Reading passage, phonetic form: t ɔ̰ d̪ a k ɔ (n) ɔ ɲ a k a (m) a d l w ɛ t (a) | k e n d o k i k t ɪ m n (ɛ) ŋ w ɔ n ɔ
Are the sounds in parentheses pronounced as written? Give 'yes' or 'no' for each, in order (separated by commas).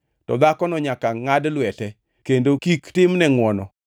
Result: yes, no, no, yes